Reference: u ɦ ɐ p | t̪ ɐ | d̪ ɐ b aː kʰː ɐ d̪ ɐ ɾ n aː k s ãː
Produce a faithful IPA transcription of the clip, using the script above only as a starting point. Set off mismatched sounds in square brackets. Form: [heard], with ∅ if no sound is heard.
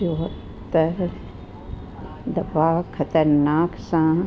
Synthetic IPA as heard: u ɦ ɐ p | t̪ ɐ | d̪ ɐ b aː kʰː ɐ [t̪] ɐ ɾ n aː k s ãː

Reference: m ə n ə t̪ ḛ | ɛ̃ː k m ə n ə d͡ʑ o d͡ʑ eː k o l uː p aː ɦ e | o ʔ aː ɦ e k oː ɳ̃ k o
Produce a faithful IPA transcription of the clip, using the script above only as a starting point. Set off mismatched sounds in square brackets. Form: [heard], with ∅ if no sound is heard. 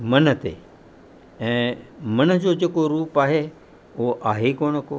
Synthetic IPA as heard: m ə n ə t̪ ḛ | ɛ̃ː [∅] m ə n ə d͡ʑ o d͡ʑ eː k o [ɾ] uː p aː ɦ e | o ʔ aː ɦ e k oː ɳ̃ k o

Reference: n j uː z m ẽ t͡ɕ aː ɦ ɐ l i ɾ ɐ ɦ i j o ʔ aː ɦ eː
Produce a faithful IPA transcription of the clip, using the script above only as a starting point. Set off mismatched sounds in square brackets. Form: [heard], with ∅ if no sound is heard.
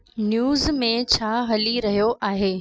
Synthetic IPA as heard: n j uː z m ẽ [t͡ɕʰ] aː ɦ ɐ l i ɾ ɐ ɦ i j o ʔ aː ɦ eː

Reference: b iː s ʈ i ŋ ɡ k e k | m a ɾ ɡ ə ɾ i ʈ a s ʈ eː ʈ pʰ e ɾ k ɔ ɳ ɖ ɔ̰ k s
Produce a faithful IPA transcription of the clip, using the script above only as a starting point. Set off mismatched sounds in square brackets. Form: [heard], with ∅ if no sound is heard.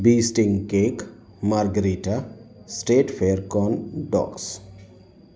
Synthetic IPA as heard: b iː s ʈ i ŋ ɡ k e k | m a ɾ ɡ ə ɾ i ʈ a s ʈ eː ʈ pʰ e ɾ k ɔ [n] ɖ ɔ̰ k s

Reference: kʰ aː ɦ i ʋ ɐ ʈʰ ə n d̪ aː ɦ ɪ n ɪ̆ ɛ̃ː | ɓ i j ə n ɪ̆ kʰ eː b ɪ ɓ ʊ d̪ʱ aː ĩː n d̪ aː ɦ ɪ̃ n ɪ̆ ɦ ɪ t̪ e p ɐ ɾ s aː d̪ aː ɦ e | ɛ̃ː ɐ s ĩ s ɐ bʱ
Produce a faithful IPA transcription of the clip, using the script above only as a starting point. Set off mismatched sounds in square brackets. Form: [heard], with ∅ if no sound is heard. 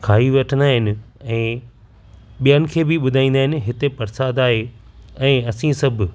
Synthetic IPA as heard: kʰ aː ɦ i ʋ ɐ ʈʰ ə n d̪ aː ɦ ɪ n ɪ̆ ɛ̃ː | ɓ i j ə n ɪ̆ kʰ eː b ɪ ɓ ʊ d̪ʱ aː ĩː n d̪ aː ɦ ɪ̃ n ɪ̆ ɦ ɪ t̪ e p ɐ ɾ s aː d̪ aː ɦ e | ɛ̃ː ɐ s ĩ s ɐ bʱ

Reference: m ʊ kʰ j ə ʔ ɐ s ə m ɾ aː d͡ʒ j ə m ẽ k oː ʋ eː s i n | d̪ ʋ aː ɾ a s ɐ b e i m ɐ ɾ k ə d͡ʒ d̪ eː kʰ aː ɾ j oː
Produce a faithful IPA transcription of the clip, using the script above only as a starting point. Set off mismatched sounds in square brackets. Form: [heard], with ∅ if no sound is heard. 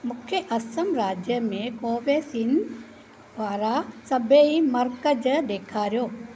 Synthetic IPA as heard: m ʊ kʰ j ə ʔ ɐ s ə m ɾ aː d͡ʒ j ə m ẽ k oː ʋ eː s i n | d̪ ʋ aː ɾ a s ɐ b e i m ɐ ɾ k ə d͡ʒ d̪ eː kʰ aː ɾ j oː

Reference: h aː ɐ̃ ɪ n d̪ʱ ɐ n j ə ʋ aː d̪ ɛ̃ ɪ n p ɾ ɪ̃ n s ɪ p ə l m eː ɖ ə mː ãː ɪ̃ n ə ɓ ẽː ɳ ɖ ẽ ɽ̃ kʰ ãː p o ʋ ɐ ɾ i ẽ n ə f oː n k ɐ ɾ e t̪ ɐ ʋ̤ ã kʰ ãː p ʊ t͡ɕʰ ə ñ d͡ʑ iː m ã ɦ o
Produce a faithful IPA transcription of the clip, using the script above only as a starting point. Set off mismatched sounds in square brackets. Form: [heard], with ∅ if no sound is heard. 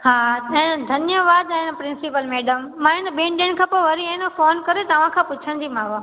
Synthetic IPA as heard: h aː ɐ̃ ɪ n d̪ʱ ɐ n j ə ʋ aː d̪ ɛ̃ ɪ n p ɾ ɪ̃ n s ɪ p ə l m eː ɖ ə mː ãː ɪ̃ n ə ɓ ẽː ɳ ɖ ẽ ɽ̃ kʰ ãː p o ʋ ɐ ɾ i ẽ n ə f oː n k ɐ ɾ e t̪ ɐ ʋ̤ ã kʰ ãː p ʊ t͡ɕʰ ə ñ d͡ʑ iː m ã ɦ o

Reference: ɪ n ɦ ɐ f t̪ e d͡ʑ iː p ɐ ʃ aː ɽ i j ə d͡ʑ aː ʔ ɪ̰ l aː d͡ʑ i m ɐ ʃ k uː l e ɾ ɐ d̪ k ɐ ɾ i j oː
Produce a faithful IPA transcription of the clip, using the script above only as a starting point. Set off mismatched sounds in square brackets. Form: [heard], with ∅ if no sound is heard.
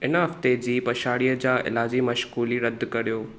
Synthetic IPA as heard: ɪ n ɦ ɐ f t̪ e d͡ʑ iː p ɐ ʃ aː ɽ i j ə d͡ʑ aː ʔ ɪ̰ l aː d͡ʑ i m ɐ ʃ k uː l [i] ɾ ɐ d̪ k ɐ ɾ i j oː

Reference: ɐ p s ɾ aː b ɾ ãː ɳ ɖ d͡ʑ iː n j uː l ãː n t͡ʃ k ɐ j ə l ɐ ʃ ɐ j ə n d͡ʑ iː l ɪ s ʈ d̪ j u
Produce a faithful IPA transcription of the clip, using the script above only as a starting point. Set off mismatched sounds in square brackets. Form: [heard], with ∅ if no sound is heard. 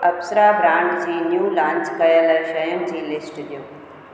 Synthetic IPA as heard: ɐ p s ɾ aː b ɾ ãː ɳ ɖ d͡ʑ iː n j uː l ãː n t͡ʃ k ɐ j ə l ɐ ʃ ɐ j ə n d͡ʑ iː l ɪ s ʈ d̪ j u

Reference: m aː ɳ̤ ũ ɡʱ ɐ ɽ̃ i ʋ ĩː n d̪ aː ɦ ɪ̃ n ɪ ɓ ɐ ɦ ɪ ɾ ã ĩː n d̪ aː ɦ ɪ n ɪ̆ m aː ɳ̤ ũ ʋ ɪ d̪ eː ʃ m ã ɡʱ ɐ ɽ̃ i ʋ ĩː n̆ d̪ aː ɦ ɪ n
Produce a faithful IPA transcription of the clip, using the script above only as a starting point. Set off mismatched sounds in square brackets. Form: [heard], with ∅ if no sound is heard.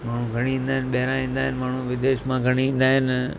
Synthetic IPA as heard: m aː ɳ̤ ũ ɡʱ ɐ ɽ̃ i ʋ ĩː n d̪ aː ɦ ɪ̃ n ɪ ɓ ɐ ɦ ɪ ɾ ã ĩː n d̪ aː ɦ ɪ n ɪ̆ m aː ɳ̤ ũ ʋ ɪ d̪ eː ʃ m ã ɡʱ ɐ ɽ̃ i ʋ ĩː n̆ d̪ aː ɦ ɪ n

